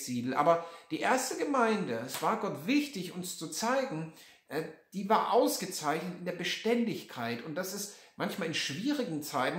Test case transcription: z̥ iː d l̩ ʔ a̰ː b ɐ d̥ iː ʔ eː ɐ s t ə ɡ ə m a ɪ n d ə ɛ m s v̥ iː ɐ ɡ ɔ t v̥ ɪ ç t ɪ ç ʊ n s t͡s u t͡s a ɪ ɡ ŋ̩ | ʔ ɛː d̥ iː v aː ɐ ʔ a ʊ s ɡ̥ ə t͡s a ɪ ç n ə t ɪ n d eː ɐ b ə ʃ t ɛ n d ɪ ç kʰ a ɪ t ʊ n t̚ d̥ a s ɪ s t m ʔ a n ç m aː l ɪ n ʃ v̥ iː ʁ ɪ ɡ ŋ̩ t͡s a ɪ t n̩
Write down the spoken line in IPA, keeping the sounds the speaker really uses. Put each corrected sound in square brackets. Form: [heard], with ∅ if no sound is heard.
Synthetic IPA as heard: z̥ iː d l̩ ʔ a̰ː b ɐ d̥ iː ʔ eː ɐ s t ə ɡ ə m a ɪ n d ə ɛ [∅] s v̥ [aː] ɐ ɡ ɔ t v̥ ɪ ç t ɪ ç ʊ n s t͡s u t͡s a ɪ ɡ ŋ̩ | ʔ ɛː d̥ iː v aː ɐ ʔ a ʊ s ɡ̥ ə t͡s a ɪ ç n ə t ɪ n d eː ɐ b ə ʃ t ɛ n d ɪ ç kʰ a ɪ t ʊ n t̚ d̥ a s ɪ s t m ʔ a n ç m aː l ɪ n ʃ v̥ iː ʁ ɪ ɡ ŋ̩ t͡s a ɪ t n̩